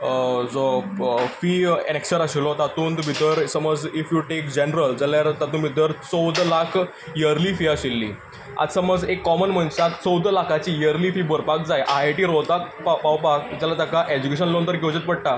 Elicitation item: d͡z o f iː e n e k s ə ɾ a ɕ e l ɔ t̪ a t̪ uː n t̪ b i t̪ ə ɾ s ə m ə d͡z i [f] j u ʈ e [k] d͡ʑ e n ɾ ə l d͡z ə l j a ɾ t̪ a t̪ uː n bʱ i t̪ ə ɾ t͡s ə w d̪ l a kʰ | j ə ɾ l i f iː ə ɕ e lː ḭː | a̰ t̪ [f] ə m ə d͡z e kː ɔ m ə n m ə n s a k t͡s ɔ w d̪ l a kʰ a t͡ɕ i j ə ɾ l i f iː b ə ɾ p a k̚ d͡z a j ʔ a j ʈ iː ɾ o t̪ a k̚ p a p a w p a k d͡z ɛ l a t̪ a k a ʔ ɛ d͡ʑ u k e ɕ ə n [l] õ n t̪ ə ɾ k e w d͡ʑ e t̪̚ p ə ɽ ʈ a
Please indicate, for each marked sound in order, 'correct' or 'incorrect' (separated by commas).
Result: correct, correct, incorrect, correct